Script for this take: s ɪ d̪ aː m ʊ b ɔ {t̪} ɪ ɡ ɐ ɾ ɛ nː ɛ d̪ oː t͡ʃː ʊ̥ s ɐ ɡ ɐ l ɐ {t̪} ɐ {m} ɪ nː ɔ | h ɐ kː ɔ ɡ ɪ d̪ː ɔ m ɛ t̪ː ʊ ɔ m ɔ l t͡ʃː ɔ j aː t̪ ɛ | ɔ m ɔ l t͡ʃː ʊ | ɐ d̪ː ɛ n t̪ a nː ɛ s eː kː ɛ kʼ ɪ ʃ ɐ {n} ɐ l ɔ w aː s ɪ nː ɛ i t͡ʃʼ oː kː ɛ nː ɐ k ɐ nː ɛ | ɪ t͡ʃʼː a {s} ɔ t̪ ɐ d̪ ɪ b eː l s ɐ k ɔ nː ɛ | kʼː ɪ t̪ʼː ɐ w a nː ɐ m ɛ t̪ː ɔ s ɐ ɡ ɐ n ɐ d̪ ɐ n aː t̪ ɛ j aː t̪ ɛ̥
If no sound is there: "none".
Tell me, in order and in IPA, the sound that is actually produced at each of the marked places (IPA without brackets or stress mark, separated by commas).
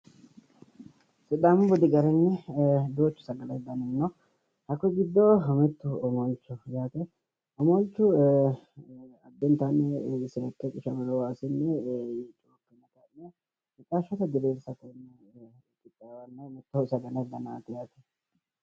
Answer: d̪, d̪, n, m, ʃ